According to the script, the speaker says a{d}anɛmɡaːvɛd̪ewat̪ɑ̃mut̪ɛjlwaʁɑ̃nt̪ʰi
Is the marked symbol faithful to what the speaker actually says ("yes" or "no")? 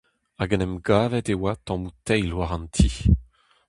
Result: no